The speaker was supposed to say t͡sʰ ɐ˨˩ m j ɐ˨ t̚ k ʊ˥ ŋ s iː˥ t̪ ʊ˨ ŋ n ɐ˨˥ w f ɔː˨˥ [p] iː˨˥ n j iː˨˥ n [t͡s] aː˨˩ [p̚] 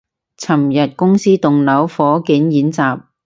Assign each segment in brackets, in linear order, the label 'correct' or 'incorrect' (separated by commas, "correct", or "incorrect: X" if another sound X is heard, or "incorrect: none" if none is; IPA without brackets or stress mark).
incorrect: k, correct, correct